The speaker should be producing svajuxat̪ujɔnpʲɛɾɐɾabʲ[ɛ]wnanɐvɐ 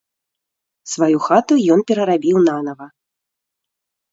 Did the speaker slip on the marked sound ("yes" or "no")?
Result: yes